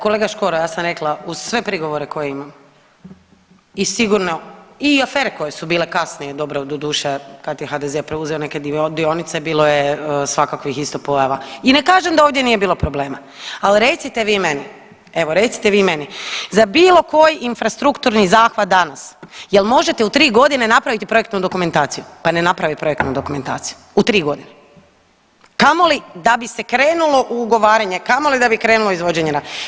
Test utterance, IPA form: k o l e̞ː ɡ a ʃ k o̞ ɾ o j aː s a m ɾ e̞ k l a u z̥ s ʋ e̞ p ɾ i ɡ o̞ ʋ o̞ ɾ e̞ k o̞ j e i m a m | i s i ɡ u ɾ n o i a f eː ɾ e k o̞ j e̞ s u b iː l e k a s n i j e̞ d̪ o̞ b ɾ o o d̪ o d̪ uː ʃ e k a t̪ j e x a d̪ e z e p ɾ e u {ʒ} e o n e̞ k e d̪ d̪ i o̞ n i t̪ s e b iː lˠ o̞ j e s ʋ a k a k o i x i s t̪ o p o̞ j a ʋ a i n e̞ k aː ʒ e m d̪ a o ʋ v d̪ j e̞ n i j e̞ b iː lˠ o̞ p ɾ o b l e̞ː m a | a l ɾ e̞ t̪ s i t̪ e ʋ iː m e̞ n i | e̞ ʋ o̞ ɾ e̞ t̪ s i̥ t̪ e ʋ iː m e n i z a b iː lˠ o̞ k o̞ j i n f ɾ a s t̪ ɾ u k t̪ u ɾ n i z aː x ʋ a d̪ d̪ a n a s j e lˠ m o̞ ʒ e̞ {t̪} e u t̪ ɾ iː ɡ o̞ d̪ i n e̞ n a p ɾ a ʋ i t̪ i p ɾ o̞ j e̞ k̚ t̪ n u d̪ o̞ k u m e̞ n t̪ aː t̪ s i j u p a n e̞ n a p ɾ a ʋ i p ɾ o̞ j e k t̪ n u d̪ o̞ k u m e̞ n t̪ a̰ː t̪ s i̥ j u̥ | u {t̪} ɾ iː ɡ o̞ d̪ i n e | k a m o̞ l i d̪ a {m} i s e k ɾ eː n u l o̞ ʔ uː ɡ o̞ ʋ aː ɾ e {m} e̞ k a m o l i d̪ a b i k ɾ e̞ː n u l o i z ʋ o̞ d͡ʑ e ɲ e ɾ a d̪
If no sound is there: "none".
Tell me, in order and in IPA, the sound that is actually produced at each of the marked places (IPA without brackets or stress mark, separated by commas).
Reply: z, t̪, t̪, b, ɲ